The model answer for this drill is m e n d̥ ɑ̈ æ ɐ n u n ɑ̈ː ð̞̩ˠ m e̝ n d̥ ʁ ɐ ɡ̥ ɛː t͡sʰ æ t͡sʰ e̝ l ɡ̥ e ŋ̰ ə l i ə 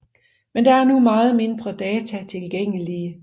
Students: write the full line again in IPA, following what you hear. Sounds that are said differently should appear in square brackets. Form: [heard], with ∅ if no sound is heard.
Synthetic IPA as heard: m e n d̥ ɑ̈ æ ɐ n u [m] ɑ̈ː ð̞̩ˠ m e̝ n d̥ ʁ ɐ [d̥] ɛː t͡sʰ æ t͡sʰ e̝ l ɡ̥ e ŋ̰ ə l i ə

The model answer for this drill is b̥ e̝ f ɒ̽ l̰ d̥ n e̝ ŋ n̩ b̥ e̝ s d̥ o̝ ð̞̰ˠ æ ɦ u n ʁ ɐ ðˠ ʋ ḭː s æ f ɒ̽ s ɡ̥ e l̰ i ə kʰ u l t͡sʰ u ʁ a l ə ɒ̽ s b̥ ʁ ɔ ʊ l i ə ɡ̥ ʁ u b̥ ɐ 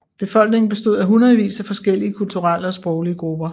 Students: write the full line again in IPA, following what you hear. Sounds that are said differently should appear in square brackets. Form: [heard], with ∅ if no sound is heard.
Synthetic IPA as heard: b̥ e̝ f ɒ̽ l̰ [ɡ̥] n e̝ ŋ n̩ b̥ e̝ s d̥ o̝ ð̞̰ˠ æ ɦ u n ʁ ɐ ðˠ ʋ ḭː s æ f ɒ̽ s ɡ̥ e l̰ i ə kʰ u l t͡sʰ u ʁ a l ə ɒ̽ s b̥ ʁ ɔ ʊ l i ə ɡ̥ ʁ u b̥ ɐ

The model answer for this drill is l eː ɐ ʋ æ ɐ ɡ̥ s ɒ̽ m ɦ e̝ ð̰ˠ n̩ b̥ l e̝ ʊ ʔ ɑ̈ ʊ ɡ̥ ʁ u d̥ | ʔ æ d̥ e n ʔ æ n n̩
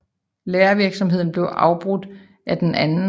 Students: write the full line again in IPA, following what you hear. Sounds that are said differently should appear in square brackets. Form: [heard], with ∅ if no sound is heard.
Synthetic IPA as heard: l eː ɐ ʋ [i] ɐ ɡ̥ s ɒ̽ m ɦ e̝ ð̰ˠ n̩ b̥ l e̝ ʊ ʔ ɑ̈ ʊ [b̥] ʁ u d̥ | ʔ æ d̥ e n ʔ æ n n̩

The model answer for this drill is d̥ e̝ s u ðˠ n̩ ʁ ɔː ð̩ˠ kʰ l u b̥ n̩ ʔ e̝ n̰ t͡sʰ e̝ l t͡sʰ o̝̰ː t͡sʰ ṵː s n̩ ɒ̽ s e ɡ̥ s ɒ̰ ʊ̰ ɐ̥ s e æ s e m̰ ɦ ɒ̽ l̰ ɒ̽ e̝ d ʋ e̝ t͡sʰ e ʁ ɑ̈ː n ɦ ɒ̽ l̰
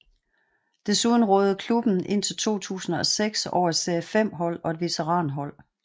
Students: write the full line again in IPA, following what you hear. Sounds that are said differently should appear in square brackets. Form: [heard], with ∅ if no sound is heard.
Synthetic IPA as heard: d̥ e̝ s u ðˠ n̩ ʁ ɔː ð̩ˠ kʰ l u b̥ n̩ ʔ e̝ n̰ t͡sʰ e̝ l t͡sʰ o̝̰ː t͡sʰ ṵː s n̩ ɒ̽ s e ɡ̥ s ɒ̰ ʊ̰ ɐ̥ s e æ [f] e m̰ ɦ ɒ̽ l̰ ɒ̽ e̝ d ʋ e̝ t͡sʰ e ʁ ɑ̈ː n ɦ ɒ̽ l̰

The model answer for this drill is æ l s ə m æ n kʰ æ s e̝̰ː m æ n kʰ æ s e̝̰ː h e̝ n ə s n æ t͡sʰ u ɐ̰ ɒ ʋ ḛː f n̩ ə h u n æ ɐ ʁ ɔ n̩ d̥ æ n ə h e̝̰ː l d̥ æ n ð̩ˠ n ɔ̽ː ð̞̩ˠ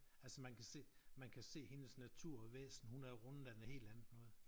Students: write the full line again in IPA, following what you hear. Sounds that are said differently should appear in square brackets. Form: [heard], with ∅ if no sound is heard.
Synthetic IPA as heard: æ l s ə m æ n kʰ æ s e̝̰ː m æ n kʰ æ s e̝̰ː h e̝ n ə s n æ t͡sʰ u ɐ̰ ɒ ʋ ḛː [s] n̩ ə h u n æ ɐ ʁ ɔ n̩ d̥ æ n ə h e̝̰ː l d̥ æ n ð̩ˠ n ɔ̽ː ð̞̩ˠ

